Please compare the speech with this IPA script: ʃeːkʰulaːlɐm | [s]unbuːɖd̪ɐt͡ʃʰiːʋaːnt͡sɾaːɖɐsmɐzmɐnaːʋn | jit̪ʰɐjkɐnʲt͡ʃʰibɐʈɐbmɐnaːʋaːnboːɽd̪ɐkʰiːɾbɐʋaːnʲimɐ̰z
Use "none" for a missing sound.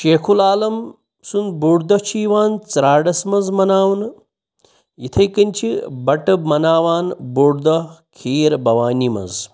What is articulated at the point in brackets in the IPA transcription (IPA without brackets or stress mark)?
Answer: s